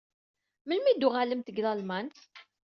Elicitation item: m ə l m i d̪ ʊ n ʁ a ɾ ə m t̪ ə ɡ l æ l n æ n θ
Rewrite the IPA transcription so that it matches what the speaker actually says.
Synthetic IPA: m ə l m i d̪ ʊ ʁ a l ə m t̪ ə ɡ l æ l m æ n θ